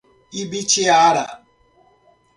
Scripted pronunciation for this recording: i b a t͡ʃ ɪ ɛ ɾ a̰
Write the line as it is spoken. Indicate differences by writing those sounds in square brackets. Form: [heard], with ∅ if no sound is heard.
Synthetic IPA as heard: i b [i] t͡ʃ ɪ [a] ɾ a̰